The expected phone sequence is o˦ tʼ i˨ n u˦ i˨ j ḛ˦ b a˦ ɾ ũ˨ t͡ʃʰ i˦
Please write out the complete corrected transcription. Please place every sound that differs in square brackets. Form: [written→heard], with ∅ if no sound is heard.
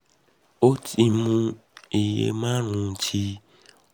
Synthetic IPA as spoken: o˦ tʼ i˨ [n→m] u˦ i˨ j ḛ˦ [b→m] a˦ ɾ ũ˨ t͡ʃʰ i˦